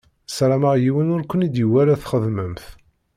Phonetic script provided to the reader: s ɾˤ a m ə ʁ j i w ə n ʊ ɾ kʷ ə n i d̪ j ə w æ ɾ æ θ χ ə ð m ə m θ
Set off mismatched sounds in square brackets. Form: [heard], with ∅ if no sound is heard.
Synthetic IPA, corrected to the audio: s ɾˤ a m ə ʁ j i w ə n ʊ ɾ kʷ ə n i d̪ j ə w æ ɾ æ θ χ ə ð m ə m θ